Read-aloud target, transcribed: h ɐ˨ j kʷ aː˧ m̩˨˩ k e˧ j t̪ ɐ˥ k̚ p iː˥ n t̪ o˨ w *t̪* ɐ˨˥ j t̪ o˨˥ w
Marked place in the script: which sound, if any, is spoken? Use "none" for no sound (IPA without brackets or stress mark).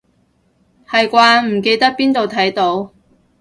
t̪ʰ